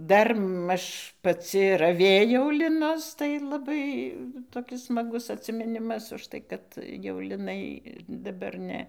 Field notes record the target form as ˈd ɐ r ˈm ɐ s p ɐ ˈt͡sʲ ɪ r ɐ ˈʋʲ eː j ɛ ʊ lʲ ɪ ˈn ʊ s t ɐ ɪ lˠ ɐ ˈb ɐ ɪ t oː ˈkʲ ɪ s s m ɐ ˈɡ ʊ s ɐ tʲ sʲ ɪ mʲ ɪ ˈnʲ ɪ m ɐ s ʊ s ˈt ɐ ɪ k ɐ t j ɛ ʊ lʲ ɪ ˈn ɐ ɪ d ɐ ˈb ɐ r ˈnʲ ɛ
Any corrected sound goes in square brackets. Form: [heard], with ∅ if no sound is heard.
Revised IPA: ˈd ɐ r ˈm ɐ [ʃ] p ɐ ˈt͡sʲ ɪ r ɐ ˈʋʲ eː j ɛ ʊ lʲ ɪ ˈn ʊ s t ɐ ɪ lˠ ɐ ˈb ɐ ɪ t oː ˈkʲ ɪ s s m ɐ ˈɡ ʊ s ɐ tʲ sʲ ɪ mʲ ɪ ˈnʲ ɪ m ɐ s ʊ [ʃ] ˈt ɐ ɪ k ɐ t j ɛ ʊ lʲ ɪ ˈn ɐ ɪ d ɐ ˈb ɐ r ˈnʲ ɛ